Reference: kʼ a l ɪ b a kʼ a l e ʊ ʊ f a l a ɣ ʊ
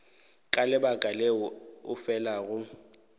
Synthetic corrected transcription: kʼ a l ɪ b a kʼ a l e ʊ ʊ f ɛ l a ɣ ʊ